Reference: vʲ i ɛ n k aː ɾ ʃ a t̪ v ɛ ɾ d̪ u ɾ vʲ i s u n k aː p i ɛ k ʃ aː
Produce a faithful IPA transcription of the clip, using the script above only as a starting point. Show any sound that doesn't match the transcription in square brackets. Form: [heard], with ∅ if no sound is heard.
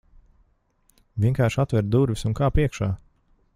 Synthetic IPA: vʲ i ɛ [ŋ] k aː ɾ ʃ a t̪ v ɛ ɾ d̪ u ɾ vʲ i s u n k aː p i ɛ k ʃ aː